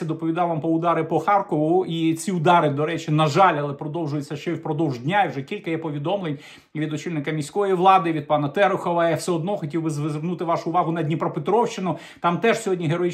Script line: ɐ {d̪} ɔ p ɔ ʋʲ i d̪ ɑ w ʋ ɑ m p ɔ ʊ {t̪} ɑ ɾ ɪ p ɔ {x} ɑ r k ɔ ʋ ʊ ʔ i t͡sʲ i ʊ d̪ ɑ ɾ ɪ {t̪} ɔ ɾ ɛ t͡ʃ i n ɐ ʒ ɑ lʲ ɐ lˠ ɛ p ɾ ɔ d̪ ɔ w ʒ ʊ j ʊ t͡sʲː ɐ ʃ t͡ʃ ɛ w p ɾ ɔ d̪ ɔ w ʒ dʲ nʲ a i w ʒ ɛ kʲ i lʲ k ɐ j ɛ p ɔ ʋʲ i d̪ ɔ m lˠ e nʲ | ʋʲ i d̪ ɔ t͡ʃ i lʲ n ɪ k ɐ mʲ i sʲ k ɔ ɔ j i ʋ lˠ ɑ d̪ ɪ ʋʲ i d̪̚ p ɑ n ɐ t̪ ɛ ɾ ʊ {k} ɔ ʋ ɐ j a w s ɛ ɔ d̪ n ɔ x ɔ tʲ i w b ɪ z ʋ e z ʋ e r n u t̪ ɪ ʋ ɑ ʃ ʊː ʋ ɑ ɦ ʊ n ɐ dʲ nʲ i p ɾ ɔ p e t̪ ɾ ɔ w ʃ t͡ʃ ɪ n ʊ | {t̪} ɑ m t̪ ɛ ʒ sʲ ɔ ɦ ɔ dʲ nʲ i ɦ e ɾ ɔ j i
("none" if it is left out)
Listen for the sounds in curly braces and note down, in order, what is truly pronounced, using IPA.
d̪, d̪, x, d̪, x, t̪

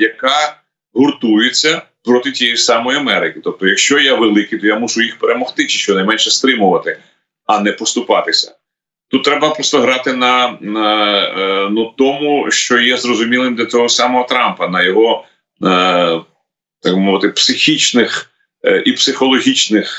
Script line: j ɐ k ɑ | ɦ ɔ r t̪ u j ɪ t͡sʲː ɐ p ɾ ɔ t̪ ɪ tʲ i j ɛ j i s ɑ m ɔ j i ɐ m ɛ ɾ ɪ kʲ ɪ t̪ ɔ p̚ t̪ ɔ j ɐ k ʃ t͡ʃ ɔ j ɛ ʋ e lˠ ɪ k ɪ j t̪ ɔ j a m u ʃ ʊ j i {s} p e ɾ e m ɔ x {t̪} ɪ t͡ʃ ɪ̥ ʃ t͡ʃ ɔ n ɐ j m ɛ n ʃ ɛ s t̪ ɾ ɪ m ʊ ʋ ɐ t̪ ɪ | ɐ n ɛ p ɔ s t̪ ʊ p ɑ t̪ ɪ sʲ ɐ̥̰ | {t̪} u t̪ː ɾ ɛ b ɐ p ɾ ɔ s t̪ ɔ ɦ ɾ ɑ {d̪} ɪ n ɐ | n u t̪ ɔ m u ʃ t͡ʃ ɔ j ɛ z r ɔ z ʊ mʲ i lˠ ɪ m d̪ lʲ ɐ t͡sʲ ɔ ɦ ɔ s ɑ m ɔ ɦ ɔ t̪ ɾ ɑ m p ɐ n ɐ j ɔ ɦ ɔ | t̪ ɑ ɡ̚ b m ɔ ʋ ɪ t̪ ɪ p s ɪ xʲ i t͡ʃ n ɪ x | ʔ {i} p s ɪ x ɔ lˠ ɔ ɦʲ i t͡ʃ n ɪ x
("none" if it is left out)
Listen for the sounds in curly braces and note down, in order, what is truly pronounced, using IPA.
x, t̪, t̪, t̪, i

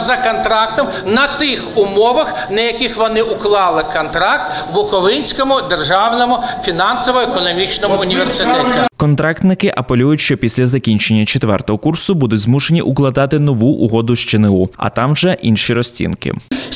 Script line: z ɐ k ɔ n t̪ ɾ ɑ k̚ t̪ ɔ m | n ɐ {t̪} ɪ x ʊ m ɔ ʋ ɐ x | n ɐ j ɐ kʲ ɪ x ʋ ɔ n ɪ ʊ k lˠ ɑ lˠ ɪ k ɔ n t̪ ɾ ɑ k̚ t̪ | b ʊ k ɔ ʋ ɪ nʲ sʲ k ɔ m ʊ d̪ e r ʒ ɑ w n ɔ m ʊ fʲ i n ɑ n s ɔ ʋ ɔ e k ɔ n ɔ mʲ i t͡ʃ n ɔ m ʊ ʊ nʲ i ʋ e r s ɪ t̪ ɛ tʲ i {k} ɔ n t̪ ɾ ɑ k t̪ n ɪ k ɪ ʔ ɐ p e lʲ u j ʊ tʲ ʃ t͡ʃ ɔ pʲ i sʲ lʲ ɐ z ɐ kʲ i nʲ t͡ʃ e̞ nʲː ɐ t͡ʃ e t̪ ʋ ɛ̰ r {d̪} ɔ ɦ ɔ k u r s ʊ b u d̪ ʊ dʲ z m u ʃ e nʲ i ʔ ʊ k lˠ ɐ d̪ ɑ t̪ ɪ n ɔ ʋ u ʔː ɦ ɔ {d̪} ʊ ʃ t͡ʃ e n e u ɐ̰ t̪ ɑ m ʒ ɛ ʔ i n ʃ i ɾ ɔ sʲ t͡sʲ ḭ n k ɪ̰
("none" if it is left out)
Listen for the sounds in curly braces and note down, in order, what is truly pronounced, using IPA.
t̪, k, t̪, d̪

